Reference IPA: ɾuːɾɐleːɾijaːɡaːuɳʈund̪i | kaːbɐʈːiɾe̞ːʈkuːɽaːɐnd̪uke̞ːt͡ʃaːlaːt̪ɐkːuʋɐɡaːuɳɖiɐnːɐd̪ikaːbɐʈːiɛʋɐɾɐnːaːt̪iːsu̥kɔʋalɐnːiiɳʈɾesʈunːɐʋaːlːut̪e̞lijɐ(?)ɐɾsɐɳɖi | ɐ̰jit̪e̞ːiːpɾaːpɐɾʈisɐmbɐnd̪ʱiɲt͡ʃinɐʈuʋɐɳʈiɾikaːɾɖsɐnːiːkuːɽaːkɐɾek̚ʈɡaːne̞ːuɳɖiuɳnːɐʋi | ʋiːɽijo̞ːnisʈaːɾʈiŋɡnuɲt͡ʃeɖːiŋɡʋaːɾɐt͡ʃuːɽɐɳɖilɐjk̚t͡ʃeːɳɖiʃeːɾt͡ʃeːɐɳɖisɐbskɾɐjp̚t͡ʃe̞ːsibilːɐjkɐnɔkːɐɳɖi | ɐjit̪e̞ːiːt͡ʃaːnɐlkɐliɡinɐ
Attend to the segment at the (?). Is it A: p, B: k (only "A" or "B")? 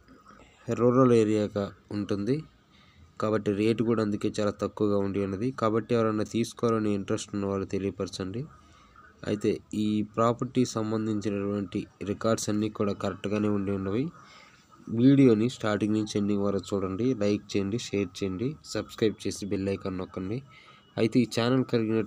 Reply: A